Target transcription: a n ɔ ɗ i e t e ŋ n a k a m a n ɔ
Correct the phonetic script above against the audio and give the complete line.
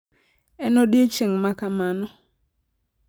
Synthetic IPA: ɛ n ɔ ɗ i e t͡ʃ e ŋ m a k a m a n ɔ